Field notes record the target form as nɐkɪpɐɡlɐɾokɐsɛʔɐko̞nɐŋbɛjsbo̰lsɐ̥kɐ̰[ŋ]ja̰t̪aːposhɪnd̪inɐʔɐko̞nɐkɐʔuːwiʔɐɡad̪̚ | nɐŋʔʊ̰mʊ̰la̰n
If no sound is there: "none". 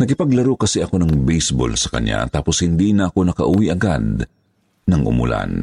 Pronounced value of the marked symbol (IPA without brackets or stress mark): ɲ